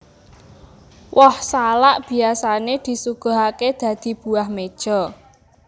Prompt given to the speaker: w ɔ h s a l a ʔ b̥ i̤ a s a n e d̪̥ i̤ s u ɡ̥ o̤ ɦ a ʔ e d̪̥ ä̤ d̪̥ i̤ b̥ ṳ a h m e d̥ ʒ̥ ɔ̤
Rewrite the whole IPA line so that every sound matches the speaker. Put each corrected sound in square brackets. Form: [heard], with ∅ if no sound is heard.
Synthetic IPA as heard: w ɔ h s a l a ʔ b̥ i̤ a s a n e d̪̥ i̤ s u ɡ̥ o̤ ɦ a [k] e d̪̥ ä̤ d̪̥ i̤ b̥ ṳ a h m e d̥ ʒ̥ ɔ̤

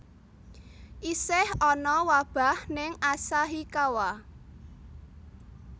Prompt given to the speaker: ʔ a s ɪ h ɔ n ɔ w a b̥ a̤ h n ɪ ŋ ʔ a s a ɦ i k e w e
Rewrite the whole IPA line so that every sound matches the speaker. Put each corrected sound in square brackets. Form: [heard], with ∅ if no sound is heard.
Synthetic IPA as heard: ʔ [i] s ɪ h ɔ n ɔ w a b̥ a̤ h n ɪ ŋ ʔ a s a ɦ i k [a] w [a]

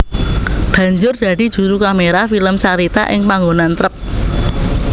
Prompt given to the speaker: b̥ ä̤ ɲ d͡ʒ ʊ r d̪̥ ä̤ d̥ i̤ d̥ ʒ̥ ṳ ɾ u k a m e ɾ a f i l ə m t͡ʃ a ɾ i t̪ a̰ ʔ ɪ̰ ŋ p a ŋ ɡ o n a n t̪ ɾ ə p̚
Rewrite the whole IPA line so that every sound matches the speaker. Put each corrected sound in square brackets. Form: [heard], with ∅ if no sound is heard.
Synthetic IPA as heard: b̥ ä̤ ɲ d͡ʒ ʊ r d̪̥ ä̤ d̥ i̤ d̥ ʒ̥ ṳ ɾ u k a m e ɾ a f i l ə m t͡ʃ a ɾ i t̪ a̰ ʔ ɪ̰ ŋ p a ŋ ɡ o n a n t̪ ɾ ə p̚

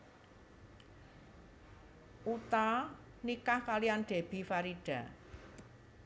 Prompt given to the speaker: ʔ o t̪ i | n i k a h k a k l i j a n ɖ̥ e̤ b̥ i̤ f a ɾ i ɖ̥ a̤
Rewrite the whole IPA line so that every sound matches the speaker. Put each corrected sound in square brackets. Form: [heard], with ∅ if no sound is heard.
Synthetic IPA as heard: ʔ [u] t̪ [a] | n i k a h k a [∅] l i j a n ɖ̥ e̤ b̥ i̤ f a ɾ i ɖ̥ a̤

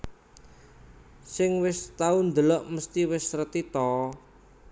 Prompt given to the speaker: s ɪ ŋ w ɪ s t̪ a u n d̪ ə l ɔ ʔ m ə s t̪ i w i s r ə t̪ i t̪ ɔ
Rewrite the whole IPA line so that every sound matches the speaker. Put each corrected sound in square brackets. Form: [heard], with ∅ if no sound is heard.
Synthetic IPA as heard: s ɪ ŋ w ɪ s t̪ a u n d̪ ə l ɔ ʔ m ə s t̪ i w [ɪ] s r ə t̪ i t̪ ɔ

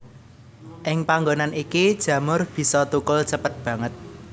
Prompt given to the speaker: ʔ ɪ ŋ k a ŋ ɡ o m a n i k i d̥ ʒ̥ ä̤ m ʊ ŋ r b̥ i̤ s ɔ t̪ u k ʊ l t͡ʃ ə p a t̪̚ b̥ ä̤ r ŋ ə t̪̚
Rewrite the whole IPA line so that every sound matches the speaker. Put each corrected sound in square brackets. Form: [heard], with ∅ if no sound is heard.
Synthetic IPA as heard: ʔ ɪ ŋ [p] a ŋ ɡ o [n] a n i k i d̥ ʒ̥ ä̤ m ʊ [∅] r b̥ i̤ s ɔ t̪ u k ʊ l t͡ʃ ə p [ə] t̪̚ b̥ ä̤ [∅] ŋ ə t̪̚

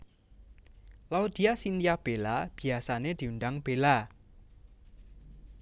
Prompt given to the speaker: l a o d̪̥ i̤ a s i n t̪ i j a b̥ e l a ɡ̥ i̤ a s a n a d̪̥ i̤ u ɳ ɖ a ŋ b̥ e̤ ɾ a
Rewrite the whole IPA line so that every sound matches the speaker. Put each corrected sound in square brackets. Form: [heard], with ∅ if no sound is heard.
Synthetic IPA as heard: l a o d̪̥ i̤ a s i n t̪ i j a b̥ e l a [b̥] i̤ a s a n [e] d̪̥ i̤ u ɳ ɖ a ŋ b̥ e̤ [l] a

